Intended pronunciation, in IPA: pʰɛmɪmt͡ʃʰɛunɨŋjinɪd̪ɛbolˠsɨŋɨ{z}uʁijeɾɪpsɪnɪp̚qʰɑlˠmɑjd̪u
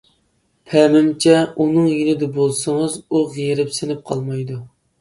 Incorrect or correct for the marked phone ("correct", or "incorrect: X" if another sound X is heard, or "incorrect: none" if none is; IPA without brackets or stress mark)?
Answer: correct